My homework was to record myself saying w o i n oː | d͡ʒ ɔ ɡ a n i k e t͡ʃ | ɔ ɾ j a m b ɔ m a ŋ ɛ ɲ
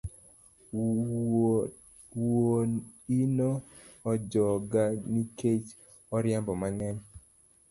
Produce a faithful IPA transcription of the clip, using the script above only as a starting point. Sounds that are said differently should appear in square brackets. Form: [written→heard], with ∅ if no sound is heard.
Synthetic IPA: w o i n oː | d͡ʒ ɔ ɡ a n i k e t͡ʃ | ɔ ɾ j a m b ɔ m a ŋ ɛ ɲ